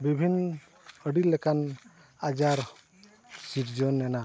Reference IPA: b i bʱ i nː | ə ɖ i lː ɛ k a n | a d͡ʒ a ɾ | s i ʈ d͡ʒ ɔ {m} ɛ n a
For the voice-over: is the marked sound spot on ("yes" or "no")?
no